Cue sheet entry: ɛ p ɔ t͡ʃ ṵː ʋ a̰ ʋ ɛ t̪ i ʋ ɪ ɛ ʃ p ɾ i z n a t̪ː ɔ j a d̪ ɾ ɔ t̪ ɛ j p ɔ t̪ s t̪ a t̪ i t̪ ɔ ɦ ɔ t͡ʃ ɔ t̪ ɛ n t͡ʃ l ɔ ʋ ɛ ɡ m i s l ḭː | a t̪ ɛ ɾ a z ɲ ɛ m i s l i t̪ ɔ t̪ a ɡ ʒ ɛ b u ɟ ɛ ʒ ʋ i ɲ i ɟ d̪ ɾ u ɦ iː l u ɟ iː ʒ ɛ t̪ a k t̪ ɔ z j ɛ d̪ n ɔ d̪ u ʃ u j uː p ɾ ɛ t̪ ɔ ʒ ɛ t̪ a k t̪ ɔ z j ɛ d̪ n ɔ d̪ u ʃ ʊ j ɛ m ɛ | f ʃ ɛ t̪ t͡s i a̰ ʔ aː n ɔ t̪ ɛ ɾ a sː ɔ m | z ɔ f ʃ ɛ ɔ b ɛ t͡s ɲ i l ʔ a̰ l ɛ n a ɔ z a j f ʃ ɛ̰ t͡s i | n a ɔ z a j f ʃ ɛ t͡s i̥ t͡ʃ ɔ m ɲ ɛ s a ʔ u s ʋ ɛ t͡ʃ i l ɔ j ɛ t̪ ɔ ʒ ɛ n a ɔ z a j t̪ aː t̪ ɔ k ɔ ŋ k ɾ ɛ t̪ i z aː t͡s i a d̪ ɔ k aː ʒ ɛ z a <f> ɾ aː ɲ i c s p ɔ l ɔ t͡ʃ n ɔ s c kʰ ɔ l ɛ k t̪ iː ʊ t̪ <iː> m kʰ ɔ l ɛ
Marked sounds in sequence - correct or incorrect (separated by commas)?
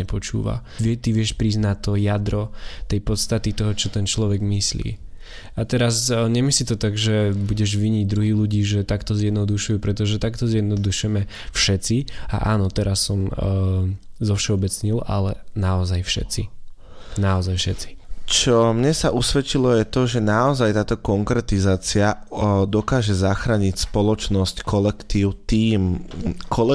incorrect, correct